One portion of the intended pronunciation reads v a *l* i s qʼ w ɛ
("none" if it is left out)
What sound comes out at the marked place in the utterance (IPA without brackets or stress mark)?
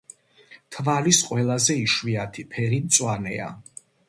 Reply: l